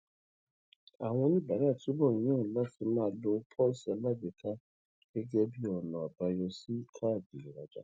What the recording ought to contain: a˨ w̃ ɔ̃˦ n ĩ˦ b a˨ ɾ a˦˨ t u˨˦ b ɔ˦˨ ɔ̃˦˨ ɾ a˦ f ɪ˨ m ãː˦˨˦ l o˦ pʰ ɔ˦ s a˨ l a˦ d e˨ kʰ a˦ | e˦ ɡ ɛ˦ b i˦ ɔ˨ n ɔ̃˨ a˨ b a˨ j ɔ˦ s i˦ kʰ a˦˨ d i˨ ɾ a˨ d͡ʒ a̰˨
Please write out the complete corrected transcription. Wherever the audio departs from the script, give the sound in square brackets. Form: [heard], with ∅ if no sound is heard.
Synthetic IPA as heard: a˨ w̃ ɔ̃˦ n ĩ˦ b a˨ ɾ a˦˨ t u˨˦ b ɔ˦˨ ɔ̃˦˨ [l] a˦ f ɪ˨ m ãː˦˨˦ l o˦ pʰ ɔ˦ s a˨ l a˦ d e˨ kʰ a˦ | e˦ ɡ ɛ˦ b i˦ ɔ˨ n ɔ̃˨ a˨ b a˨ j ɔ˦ s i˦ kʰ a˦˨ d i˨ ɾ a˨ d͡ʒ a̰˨